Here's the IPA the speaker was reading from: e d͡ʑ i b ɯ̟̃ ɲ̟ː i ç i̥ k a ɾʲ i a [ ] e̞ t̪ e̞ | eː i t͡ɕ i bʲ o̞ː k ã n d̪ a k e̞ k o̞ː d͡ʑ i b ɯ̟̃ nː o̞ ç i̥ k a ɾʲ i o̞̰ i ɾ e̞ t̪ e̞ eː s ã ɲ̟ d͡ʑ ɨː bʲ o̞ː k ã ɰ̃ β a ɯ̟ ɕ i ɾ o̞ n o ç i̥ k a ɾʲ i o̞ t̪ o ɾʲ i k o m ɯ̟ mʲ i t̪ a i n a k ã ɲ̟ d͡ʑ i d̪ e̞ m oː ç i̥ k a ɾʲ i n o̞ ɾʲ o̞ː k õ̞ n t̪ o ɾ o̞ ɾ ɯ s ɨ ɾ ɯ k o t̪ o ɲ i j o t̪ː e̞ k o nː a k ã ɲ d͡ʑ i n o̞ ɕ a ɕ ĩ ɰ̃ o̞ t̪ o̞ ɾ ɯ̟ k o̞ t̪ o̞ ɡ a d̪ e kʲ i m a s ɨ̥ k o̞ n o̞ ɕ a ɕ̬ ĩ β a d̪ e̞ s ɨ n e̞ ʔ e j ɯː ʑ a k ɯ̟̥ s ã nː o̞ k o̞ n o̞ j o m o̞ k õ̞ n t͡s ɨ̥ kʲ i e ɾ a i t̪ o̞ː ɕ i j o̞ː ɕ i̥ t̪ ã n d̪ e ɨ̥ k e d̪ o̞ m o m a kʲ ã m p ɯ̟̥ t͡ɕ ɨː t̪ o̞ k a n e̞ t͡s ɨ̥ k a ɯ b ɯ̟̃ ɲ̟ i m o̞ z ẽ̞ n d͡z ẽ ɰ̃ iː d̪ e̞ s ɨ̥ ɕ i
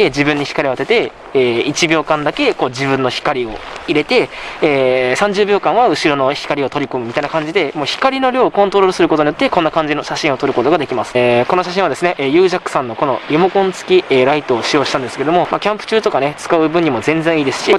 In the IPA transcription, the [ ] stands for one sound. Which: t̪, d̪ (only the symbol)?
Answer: t̪